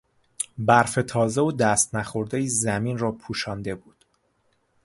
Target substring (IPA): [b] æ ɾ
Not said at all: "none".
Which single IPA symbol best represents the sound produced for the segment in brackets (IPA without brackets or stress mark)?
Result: b